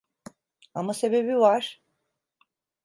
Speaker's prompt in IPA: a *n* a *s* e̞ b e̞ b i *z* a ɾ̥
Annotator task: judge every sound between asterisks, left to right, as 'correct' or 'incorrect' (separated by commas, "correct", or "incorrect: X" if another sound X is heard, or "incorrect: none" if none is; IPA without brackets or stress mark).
incorrect: m, correct, incorrect: v